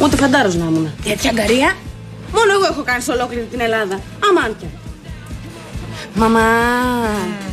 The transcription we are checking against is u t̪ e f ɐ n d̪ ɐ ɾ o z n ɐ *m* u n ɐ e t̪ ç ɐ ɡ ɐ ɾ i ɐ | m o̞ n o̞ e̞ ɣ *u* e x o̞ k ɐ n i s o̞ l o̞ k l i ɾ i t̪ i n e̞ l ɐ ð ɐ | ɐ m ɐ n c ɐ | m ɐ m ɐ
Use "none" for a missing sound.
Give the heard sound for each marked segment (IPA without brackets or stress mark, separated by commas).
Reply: m, o